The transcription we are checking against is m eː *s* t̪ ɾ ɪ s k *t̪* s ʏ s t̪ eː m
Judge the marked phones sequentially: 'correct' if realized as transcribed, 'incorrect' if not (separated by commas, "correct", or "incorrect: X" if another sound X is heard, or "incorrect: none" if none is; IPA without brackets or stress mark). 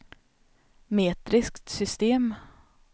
incorrect: none, correct